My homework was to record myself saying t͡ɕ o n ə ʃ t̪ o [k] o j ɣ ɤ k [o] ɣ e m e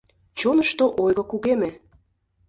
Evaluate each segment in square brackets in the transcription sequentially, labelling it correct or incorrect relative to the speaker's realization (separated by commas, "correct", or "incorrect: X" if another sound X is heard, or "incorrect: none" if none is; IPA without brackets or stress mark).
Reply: incorrect: ʔ, incorrect: u